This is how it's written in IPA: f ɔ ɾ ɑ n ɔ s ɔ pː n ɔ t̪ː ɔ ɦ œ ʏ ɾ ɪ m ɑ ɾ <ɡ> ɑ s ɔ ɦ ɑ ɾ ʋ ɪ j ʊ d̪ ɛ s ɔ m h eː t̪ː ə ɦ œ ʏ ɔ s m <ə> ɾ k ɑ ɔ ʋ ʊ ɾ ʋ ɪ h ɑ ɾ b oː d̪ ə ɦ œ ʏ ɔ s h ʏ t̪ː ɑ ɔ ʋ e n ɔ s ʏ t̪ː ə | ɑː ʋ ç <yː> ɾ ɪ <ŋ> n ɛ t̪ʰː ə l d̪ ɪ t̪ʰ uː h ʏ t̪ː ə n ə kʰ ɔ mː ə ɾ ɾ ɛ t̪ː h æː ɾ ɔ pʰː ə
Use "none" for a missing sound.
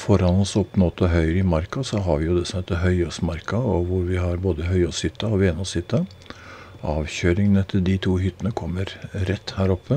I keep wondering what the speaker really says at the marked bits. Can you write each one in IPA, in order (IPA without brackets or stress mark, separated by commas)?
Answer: k, ɑ, øː, ŋ